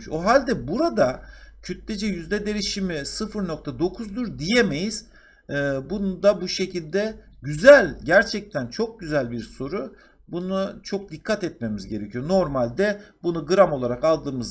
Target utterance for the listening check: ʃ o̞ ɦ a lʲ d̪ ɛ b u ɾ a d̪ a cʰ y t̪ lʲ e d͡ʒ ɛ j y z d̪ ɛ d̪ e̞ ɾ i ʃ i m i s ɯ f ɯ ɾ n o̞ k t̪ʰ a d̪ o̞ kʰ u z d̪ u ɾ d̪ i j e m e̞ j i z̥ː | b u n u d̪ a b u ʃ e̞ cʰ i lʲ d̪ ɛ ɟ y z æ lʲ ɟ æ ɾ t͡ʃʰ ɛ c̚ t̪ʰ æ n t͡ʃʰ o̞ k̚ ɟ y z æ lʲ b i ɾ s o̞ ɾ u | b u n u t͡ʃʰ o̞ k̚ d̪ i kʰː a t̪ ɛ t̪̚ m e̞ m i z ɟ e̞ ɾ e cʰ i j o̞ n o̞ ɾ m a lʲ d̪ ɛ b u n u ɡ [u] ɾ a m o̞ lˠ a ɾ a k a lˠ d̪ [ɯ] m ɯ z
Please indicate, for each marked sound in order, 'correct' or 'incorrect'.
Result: incorrect, incorrect

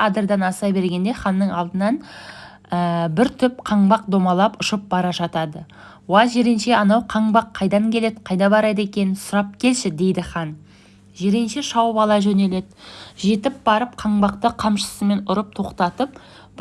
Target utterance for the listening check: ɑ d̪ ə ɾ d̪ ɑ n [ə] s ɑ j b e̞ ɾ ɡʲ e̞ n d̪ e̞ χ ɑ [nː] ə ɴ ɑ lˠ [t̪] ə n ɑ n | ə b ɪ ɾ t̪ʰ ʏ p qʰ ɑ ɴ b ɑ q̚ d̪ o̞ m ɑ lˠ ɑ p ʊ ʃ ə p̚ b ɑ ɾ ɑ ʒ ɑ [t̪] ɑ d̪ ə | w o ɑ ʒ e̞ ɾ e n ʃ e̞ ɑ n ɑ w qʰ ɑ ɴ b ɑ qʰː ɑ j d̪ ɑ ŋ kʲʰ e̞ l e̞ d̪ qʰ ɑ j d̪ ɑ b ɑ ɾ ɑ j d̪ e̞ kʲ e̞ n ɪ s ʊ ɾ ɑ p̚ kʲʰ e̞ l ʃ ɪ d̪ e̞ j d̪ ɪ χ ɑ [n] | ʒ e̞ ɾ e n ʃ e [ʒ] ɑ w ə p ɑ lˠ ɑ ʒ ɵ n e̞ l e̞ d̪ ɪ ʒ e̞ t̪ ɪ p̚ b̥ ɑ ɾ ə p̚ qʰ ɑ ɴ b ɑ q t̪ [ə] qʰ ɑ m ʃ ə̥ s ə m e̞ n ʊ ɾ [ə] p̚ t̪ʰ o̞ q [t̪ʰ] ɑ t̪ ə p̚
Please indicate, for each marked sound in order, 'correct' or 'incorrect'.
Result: incorrect, correct, incorrect, correct, correct, incorrect, correct, correct, incorrect

